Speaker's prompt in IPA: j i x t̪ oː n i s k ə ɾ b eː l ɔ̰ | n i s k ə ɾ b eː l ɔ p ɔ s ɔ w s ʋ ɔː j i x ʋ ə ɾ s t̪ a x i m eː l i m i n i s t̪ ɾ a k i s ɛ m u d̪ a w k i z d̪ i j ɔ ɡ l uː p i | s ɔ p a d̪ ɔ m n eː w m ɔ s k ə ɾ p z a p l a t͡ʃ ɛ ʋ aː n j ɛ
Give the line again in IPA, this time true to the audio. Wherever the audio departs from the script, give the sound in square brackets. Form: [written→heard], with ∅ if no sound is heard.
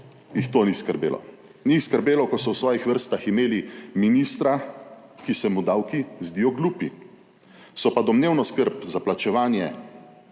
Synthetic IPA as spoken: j i x t̪ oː n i s k ə ɾ b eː l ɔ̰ | n i s k ə ɾ b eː l ɔ [p→k] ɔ s ɔ w s ʋ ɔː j i x ʋ ə ɾ s t̪ a x i m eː l i m i n i s t̪ ɾ a k i s ɛ m u d̪ a w k i z d̪ i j ɔ ɡ l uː p i | s ɔ p a d̪ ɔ m n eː w [m→n] ɔ s k ə ɾ p z a p l a t͡ʃ ɛ ʋ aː n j ɛ